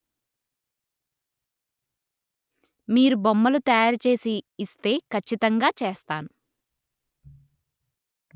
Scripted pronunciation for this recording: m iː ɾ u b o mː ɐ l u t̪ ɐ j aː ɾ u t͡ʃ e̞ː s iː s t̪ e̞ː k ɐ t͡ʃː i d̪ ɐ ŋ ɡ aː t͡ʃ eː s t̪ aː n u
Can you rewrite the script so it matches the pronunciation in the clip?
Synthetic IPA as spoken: m iː ɾ u b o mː ɐ l u t̪ ɐ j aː ɾ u t͡ʃ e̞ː s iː s t̪ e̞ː k ɐ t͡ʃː i t̪ ɐ ŋ ɡ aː t͡ʃ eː s t̪ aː n u